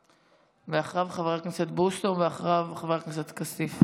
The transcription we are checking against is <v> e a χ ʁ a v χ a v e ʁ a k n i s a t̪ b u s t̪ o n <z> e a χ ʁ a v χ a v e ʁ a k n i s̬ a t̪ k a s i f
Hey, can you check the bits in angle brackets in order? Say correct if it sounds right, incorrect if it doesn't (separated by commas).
correct, incorrect